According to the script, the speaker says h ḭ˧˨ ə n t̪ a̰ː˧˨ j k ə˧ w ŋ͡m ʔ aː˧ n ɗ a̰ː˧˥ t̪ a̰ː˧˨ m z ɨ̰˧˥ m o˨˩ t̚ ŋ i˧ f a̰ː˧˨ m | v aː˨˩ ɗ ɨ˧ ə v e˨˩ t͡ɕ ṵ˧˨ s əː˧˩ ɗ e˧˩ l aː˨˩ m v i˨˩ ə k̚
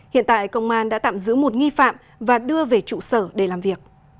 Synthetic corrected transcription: h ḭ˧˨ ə n t̪ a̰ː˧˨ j k ə˧ w ŋ͡m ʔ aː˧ n ɗ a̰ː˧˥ t̪ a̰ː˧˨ m z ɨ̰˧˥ m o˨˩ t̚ ŋ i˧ f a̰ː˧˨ m | v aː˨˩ ɗ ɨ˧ ə v e˨˩ t͡ɕ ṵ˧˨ s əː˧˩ ɗ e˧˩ l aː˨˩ m v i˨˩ ə k̚

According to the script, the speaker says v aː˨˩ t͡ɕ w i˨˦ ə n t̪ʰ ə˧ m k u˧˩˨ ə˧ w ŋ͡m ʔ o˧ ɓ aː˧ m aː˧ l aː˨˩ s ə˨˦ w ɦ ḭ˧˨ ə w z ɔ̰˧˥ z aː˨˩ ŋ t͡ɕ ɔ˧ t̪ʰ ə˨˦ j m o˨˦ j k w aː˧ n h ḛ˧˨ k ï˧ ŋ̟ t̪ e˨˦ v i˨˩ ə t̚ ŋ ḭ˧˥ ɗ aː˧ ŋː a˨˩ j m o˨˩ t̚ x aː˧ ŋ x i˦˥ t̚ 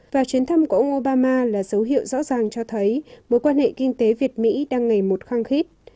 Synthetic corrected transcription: v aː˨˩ t͡ɕ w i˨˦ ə n t̪ʰ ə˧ m k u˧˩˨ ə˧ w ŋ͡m ʔ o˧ ɓ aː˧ m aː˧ l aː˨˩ z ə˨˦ w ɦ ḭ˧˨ ə w z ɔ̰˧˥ z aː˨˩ ŋ t͡ɕ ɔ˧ t̪ʰ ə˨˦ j m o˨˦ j k w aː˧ n h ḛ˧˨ k ï˧ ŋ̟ t̪ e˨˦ v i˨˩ ə t̚ m ḭ˧˥ ɗ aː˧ ŋː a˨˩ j m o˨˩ t̚ x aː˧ ŋ x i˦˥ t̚

